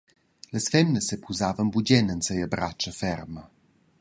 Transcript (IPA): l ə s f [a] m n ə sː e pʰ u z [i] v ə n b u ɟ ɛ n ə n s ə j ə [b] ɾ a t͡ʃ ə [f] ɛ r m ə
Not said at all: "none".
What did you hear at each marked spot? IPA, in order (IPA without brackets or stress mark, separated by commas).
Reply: ɛ, a, b, f